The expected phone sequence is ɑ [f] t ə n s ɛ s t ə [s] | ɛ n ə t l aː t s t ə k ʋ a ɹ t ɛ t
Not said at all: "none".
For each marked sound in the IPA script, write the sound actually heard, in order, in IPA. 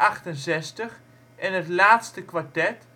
χ, χ

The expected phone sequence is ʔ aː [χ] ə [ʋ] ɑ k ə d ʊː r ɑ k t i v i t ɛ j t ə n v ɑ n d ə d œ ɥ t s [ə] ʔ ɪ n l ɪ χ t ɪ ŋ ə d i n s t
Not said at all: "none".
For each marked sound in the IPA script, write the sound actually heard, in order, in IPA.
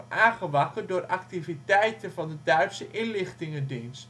χ, ʋ, ə

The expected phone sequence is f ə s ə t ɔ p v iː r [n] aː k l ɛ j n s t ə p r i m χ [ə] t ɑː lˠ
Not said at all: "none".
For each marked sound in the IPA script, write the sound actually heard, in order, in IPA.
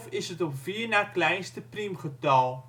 n, ə

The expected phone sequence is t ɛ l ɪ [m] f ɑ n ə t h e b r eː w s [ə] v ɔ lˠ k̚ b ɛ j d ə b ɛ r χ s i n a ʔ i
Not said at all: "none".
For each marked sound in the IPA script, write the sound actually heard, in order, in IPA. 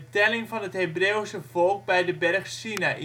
ŋ, ə

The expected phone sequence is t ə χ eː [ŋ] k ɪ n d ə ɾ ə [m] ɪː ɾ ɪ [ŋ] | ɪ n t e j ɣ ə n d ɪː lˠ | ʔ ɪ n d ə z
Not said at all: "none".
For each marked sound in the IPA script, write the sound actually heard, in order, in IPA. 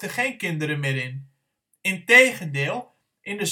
n, m, n

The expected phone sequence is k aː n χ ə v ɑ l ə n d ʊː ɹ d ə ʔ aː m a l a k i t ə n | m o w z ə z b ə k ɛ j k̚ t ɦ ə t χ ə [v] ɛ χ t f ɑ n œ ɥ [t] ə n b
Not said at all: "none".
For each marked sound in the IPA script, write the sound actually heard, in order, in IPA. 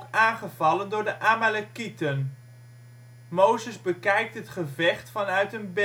v, t

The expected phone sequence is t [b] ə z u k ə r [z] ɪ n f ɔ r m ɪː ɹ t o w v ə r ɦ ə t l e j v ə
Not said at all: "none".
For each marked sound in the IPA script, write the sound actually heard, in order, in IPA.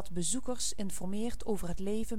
b, s

